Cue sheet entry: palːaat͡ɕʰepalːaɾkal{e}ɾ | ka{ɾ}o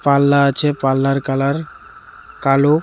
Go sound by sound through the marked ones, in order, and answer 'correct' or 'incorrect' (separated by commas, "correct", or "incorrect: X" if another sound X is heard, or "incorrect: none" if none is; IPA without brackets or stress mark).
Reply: incorrect: a, incorrect: l